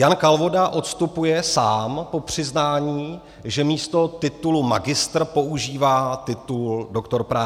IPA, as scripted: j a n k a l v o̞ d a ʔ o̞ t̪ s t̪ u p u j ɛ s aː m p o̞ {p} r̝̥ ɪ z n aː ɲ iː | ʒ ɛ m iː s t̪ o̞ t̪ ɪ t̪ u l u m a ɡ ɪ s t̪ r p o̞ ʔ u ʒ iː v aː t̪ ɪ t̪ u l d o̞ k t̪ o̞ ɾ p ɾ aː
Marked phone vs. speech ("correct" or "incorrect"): correct